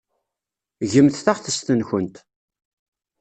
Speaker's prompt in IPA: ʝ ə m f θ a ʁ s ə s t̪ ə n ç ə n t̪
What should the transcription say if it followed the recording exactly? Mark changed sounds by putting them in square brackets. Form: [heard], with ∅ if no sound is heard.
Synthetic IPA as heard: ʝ ə m [θ] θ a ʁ [θ] ə s t̪ ə n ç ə n t̪